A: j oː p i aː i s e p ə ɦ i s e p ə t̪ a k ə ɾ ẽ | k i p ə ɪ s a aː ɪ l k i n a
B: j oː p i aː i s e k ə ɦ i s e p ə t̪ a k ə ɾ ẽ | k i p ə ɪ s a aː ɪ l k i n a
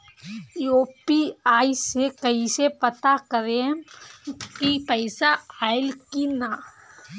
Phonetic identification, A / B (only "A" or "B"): B